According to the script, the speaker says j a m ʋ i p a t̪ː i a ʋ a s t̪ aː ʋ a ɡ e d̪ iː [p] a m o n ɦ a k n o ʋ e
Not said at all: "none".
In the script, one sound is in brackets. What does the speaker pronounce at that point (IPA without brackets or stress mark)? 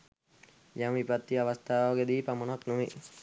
p